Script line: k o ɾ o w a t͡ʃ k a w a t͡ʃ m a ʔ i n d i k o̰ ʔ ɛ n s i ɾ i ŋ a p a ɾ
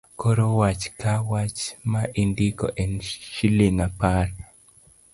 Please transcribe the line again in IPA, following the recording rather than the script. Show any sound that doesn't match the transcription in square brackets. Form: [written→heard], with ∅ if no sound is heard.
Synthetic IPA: k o ɾ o w a t͡ʃ k a w a t͡ʃ m a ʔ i n d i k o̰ ʔ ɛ n [s→ʃ] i [ɾ→l] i ŋ a p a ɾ